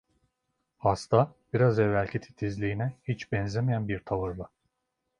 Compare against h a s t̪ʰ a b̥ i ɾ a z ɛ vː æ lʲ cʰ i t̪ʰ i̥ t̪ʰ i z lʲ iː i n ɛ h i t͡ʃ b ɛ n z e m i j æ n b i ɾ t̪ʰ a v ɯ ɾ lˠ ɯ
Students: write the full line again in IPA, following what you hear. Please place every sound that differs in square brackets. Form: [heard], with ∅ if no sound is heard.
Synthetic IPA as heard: h a s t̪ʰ a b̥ i ɾ a z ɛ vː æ lʲ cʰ i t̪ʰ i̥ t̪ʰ i z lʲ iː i n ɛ h i t͡ʃ b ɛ n z e m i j æ n b i ɾ t̪ʰ a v ɯ ɾ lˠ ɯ